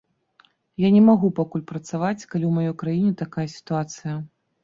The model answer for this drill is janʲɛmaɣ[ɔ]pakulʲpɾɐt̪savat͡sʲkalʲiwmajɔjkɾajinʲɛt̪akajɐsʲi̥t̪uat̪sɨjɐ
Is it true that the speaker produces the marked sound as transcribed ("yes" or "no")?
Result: no